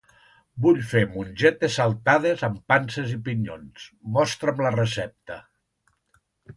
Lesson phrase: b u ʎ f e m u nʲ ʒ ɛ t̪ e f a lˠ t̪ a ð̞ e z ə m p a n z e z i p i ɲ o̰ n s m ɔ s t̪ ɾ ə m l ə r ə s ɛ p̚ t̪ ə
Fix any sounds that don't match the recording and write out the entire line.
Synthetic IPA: b u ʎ f e m u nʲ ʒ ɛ t̪ e s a lˠ t̪ a ð̞ e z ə m p a n s e z i p i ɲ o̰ n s m ɔ s t̪ ɾ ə m l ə r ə s ɛ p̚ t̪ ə